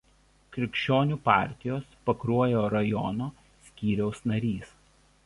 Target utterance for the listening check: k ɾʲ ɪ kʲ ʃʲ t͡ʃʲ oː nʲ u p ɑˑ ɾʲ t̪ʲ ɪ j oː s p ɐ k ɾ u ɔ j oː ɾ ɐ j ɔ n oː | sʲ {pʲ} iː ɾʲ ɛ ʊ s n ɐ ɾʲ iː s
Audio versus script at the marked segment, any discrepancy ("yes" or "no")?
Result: yes